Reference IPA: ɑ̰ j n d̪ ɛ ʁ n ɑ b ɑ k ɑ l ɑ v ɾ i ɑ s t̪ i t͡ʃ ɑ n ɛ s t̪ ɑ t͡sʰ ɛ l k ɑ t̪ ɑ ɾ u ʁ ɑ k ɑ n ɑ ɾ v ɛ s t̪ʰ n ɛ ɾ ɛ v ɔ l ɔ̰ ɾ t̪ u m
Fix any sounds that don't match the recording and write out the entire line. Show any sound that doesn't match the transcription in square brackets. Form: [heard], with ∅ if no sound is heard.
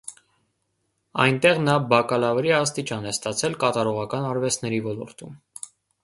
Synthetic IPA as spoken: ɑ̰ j n [t̪] ɛ ʁ n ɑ b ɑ k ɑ l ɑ v ɾ i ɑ s t̪ i t͡ʃ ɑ n ɛ s t̪ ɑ t͡sʰ ɛ l k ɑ t̪ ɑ ɾ [ɔ] ʁ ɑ k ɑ n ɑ ɾ v ɛ s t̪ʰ n ɛ ɾ [i] v ɔ l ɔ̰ ɾ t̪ u m